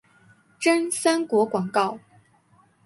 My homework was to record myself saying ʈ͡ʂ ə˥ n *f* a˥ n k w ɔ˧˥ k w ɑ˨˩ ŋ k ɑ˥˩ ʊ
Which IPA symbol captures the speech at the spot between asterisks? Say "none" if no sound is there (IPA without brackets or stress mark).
s